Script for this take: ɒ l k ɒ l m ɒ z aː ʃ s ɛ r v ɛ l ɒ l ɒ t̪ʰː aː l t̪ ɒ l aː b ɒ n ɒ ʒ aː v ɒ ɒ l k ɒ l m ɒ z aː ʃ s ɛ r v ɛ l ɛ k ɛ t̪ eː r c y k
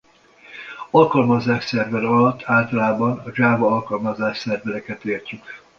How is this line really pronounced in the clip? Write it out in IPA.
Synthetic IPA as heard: ɒ l k ɒ l m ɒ z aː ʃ s ɛ r v ɛ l ɒ l ɒ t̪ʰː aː l t̪ ɒ l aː b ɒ n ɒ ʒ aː v ɒ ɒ l k ɒ l m ɒ z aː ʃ s ɛ r v ɛ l ɛ k ɛ t̪ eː r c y k